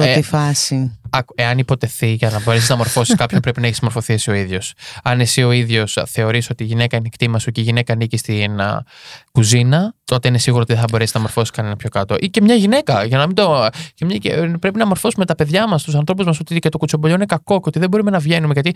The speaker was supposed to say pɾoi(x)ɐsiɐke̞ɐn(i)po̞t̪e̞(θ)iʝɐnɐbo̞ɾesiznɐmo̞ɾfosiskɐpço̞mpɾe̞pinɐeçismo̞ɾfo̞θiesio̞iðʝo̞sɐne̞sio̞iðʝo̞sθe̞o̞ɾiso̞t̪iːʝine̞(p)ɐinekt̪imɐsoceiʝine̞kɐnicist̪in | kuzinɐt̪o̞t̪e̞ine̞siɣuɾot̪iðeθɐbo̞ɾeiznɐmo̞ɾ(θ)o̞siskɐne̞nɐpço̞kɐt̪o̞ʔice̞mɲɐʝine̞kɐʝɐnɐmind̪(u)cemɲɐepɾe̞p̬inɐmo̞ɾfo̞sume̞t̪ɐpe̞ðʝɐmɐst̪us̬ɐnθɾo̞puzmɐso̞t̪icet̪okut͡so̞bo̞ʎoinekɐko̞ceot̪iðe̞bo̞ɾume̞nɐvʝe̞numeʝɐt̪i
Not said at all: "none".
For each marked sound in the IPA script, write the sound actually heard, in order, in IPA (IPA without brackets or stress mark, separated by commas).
f, i, θ, k, f, o